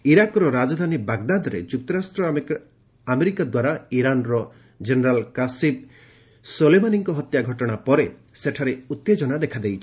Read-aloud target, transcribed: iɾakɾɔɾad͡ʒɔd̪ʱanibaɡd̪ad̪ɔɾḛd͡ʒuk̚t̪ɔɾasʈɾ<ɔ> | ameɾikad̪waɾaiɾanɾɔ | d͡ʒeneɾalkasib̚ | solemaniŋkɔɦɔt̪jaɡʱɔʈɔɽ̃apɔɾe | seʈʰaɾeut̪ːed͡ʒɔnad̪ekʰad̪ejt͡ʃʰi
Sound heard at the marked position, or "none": ɔ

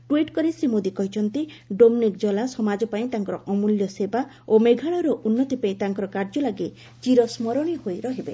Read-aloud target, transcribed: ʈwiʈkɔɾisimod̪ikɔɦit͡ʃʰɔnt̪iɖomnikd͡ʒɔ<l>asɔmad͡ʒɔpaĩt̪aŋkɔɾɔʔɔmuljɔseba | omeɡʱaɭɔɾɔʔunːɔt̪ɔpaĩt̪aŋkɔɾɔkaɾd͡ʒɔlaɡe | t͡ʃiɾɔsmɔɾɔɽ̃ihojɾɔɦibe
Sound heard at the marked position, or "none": l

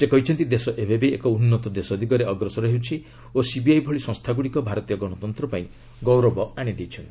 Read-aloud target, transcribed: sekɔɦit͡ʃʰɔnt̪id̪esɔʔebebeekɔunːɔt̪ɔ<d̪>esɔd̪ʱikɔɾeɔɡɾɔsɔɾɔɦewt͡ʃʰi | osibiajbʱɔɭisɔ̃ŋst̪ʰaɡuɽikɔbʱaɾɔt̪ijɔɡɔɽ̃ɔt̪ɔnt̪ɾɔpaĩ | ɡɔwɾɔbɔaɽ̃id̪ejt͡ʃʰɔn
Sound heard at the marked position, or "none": d̪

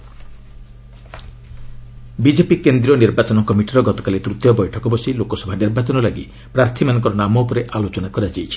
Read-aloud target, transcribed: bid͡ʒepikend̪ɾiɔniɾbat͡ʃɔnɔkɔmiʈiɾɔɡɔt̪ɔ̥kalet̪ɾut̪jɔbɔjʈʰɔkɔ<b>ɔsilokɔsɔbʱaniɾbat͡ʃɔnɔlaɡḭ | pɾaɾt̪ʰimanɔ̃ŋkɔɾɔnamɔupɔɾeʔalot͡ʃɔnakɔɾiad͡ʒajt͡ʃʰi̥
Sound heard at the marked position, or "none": b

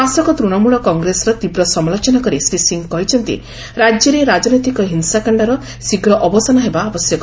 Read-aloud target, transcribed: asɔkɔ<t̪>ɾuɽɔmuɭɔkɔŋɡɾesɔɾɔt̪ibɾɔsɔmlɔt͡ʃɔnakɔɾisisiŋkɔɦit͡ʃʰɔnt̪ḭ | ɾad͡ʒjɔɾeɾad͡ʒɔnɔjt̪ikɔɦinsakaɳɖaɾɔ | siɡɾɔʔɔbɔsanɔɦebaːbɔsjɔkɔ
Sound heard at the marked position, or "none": t̪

